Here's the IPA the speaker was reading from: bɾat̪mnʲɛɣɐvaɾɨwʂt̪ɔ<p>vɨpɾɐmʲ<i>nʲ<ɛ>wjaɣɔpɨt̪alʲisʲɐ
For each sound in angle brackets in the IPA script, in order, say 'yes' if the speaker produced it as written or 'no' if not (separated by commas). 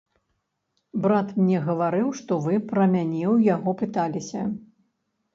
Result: no, no, yes